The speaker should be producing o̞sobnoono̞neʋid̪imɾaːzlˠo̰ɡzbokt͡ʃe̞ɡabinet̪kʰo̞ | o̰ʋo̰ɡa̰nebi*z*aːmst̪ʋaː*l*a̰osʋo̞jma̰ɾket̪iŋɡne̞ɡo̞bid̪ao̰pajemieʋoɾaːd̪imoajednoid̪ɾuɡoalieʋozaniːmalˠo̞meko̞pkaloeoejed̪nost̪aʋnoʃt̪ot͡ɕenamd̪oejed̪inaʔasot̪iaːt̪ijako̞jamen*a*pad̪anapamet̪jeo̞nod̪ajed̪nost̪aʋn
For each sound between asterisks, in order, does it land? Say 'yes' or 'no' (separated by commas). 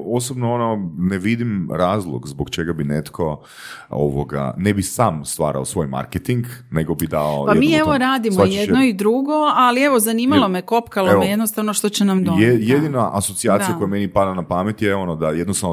no, no, no